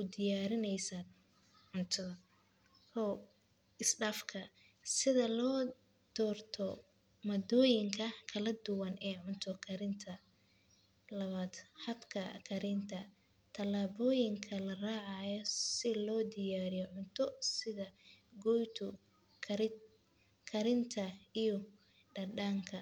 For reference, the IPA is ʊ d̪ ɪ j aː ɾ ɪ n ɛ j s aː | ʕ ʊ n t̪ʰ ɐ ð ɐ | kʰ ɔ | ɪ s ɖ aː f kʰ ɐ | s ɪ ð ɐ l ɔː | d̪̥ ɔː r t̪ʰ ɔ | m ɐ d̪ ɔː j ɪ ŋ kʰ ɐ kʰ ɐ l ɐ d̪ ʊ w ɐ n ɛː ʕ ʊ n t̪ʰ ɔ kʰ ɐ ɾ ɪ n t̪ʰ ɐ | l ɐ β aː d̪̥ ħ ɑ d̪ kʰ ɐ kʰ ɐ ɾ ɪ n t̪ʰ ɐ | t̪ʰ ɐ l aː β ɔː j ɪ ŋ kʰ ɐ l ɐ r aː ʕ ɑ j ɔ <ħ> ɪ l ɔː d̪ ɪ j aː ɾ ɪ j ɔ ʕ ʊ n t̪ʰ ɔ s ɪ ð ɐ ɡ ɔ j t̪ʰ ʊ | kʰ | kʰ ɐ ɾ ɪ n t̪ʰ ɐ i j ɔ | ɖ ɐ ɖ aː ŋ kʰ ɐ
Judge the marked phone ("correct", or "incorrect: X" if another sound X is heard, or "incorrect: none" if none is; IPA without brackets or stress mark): incorrect: s